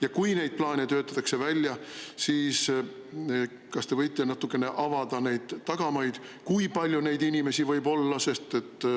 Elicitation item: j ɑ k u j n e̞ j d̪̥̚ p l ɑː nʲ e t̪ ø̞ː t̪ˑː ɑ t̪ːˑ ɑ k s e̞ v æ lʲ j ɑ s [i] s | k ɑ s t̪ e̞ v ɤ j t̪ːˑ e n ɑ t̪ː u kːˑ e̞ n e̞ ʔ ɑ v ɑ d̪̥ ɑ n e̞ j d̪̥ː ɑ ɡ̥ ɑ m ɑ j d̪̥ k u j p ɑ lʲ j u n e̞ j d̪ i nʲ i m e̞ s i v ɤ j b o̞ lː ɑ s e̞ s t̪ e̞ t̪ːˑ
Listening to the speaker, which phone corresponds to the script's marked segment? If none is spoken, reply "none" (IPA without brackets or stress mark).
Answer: iː